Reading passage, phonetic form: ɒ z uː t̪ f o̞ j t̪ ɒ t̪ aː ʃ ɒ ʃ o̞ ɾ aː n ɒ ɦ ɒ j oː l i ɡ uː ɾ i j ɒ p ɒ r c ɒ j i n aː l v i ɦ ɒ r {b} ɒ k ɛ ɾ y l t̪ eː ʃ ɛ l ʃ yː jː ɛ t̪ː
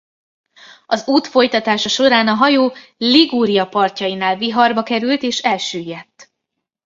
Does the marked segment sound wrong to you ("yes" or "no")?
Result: no